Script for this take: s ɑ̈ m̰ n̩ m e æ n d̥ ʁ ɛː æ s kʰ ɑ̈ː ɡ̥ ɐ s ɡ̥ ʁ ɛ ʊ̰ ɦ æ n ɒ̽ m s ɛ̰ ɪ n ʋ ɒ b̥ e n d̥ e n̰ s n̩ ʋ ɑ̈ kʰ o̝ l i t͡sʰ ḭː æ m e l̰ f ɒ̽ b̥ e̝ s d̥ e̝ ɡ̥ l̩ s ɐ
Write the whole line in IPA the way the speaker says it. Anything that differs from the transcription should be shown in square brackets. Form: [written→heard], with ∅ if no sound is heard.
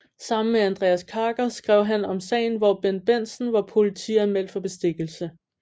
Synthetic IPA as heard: s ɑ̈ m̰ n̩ m e æ n d̥ ʁ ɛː æ s kʰ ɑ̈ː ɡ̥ ɐ s ɡ̥ ʁ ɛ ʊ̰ ɦ æ n ɒ̽ m s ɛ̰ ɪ n ʋ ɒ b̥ e n [d̥→b̥] e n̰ s n̩ ʋ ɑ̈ [kʰ→pʰ] o̝ l i t͡sʰ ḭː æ m e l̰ f ɒ̽ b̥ e̝ s d̥ e̝ ɡ̥ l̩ s [ɐ→ə]